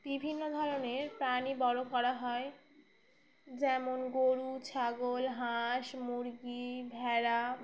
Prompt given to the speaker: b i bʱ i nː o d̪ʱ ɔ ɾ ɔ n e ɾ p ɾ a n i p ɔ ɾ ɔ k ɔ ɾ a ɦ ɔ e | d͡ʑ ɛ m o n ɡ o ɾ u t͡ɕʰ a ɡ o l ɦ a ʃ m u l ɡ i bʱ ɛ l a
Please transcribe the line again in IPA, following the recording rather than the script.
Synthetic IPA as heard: b i bʱ i nː o d̪ʱ ɔ ɾ o n e ɾ p ɾ a n i b ɔ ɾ o k ɔ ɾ a ɦ ɔ e | d͡ʑ ɛ m o n ɡ o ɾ u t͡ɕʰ a ɡ o l ɦ a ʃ m u ɾ ɡ i bʱ ɛ ɾ a